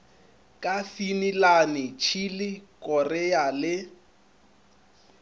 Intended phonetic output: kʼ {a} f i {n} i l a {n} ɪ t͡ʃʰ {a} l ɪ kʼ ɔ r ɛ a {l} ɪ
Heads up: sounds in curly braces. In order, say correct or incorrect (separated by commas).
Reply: correct, correct, correct, incorrect, correct